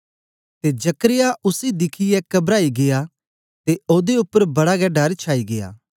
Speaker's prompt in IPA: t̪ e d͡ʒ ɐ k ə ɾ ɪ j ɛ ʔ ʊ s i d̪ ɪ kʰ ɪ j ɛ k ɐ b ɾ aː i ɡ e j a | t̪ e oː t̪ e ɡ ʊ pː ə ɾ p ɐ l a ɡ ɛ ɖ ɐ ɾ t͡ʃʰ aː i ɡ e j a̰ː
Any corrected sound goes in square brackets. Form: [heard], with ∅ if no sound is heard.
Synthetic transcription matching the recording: t̪ e d͡ʒ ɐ k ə ɾ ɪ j [a] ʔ ʊ s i d̪ ɪ kʰ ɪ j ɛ k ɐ b ɾ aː i ɡ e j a | t̪ e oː [d̪] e [∅] ʊ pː ə ɾ [b] ɐ [ɽ] a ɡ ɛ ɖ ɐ ɾ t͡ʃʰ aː i ɡ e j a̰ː